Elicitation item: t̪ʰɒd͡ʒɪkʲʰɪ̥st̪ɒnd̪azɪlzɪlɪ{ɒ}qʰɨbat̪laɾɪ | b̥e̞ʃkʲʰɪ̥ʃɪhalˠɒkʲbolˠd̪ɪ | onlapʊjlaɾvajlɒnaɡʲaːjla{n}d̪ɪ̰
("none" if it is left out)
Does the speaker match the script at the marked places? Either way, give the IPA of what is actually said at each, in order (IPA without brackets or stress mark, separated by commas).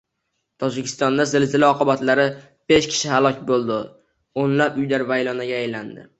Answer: ɒ, n